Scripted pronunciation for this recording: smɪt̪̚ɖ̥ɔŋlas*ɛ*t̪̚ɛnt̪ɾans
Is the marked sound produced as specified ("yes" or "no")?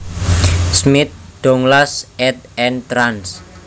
yes